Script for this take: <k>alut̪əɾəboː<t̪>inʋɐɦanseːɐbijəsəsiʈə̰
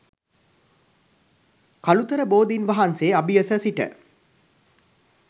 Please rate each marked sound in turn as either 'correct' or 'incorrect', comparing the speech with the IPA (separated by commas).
correct, incorrect